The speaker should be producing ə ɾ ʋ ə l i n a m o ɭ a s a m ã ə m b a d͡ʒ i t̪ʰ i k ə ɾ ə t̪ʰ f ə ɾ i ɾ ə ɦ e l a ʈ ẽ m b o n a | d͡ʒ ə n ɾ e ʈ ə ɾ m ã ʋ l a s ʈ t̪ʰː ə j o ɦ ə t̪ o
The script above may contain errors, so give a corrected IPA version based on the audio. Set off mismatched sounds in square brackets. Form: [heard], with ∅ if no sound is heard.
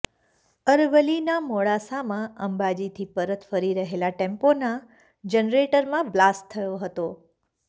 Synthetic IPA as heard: ə ɾ ʋ ə l i n a m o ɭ a s a m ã ə m b a d͡ʒ i t̪ʰ i [p] ə ɾ ə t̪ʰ f ə ɾ i ɾ ə ɦ e l a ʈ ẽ m [p] o n a | d͡ʒ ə n ɾ e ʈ ə ɾ m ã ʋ l a s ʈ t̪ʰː ə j o ɦ ə t̪ o

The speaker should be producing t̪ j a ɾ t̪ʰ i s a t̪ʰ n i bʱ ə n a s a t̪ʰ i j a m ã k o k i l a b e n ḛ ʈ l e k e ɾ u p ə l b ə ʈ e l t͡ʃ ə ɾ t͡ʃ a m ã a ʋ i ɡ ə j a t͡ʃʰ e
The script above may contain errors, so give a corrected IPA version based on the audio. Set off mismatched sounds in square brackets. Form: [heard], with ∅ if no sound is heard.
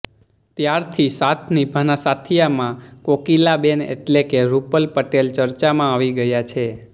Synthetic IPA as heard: t̪ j a ɾ t̪ʰ i s a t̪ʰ n i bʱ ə n a s a t̪ʰ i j a m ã k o k i l a b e n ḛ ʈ l e k e ɾ u p ə l [p] ə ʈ e l t͡ʃ ə ɾ t͡ʃ a m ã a ʋ i ɡ ə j a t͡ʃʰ e

